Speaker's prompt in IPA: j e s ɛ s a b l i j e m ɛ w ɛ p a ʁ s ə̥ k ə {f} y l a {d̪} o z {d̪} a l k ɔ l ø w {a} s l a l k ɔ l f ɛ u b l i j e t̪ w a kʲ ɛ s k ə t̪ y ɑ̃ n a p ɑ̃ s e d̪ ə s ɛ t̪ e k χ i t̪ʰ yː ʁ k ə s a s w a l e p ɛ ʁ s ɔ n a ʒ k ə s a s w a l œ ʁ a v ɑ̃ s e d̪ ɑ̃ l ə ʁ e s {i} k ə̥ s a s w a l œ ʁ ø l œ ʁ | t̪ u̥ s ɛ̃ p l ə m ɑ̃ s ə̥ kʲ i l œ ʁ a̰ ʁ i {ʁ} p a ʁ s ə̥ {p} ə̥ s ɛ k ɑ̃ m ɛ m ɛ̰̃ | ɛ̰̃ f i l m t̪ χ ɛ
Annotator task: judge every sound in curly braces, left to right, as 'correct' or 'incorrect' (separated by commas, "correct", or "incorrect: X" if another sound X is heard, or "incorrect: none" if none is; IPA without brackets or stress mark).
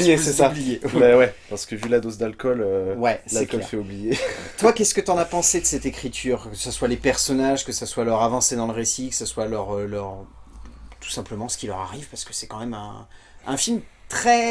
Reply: incorrect: v, correct, correct, incorrect: ɛ, correct, incorrect: v, incorrect: k